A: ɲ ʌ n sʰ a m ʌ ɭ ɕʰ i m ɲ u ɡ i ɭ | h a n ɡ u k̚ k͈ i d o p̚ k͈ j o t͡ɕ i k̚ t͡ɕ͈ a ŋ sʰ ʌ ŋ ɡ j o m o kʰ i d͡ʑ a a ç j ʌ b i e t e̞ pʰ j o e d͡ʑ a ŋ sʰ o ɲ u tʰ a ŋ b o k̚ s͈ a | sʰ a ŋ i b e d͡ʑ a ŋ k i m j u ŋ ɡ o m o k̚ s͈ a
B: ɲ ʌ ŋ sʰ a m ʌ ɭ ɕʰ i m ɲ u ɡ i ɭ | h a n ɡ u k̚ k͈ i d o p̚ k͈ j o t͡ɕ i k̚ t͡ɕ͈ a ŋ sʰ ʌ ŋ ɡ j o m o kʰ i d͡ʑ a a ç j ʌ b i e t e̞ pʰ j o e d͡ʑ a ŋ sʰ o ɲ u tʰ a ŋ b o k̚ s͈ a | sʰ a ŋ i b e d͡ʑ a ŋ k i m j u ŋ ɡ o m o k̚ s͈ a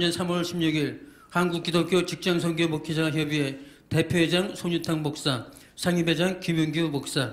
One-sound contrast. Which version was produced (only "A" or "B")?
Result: A